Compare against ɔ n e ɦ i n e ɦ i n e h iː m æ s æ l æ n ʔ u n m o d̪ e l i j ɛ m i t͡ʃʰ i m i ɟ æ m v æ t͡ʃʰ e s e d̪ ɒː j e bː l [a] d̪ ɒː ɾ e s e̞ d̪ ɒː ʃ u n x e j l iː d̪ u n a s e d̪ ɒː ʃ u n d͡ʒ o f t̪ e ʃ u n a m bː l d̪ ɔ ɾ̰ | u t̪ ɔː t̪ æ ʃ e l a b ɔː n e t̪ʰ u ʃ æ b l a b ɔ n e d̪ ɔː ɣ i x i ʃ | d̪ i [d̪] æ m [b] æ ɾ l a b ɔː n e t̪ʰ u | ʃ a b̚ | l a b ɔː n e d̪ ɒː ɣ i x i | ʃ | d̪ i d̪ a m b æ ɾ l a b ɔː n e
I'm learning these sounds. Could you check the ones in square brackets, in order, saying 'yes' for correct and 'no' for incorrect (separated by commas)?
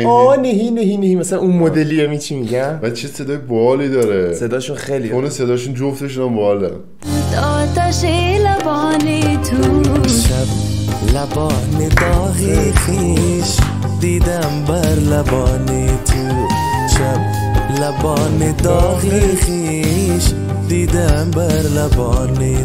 no, yes, yes